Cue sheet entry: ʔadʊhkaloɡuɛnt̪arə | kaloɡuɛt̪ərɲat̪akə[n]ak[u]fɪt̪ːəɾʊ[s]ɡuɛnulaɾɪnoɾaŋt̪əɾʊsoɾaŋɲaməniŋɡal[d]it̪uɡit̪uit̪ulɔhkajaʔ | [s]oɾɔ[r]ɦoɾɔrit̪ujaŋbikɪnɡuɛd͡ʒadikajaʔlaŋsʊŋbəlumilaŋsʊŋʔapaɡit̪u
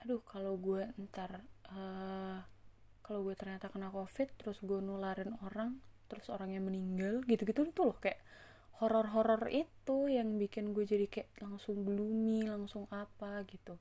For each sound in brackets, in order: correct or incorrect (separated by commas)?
correct, incorrect, correct, incorrect, incorrect, correct